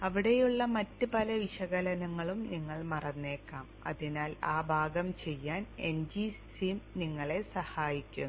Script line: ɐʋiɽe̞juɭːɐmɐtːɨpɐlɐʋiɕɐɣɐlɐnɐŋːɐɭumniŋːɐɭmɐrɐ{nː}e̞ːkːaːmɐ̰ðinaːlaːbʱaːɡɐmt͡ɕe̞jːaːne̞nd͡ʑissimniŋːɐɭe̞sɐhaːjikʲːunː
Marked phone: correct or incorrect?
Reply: correct